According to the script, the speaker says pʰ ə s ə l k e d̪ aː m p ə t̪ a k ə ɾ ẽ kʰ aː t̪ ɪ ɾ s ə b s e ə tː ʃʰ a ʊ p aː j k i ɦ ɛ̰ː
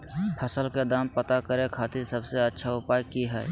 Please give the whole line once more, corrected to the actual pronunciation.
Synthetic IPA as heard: pʰ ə s ə l k e d̪ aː m p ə t̪ a k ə ɾ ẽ kʰ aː t̪ ɪ ɾ s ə b s e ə tː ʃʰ a ʊ p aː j k i ɦ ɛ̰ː

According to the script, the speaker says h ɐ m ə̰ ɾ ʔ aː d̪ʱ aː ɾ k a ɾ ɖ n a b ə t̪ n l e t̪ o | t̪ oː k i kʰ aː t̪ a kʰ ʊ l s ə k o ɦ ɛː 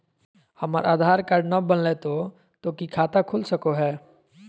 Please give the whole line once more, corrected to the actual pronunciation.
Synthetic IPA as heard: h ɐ m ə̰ ɾ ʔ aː d̪ʱ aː ɾ k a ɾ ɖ n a b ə n l e t̪ o | t̪ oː k i kʰ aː t̪ a kʰ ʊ l s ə k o ɦ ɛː

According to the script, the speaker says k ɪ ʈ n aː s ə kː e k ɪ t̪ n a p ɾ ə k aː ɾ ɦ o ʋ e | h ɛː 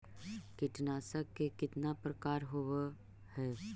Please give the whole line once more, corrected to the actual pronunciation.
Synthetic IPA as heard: k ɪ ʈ n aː s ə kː e k ɪ t̪ n a p ɾ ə k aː ɾ ɦ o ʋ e | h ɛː

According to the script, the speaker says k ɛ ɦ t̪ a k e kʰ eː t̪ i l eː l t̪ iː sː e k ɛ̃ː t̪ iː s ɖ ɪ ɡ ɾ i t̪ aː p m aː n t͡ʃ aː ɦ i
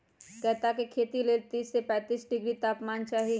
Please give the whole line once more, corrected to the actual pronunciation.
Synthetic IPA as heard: k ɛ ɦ t̪ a k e kʰ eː t̪ i l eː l t̪ iː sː e p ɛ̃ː t̪ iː s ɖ ɪ ɡ ɾ i t̪ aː p m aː n t͡ʃ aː ɦ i

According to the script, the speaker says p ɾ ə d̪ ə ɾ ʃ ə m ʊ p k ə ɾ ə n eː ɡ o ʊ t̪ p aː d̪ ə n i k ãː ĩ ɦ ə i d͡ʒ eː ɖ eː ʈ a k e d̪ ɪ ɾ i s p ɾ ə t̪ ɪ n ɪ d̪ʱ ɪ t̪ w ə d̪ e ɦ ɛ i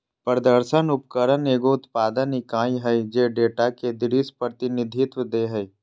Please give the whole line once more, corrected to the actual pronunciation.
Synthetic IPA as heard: p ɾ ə d̪ ə ɾ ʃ ə n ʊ p k ə ɾ ə n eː ɡ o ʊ t̪ p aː d̪ ə n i k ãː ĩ ɦ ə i d͡ʒ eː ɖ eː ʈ a k e d̪ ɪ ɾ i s p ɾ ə t̪ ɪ n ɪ d̪ʱ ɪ t̪ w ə d̪ e ɦ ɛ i

